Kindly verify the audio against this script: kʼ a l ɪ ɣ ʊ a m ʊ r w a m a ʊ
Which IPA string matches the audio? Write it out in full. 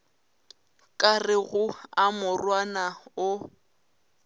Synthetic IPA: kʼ a r ɪ ɣ ʊ a m ʊ r w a n a ʊ